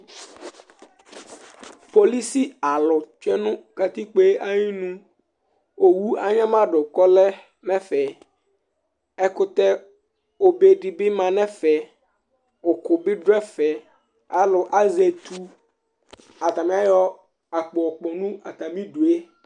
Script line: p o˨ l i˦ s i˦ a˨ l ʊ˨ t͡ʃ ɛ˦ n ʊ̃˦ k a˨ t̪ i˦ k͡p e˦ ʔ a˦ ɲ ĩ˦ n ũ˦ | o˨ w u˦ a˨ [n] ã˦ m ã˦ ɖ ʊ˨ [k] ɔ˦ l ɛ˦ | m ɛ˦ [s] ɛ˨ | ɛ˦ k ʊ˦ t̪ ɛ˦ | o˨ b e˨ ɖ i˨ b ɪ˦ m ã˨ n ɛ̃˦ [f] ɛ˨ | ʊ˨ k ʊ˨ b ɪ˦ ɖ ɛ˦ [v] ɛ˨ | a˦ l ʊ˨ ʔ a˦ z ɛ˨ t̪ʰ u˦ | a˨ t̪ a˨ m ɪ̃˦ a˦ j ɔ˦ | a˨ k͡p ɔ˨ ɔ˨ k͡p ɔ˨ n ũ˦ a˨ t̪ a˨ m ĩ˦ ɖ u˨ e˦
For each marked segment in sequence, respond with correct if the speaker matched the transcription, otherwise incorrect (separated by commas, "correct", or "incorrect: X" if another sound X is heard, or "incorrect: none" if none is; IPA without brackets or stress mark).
incorrect: ɲ, correct, incorrect: f, correct, incorrect: f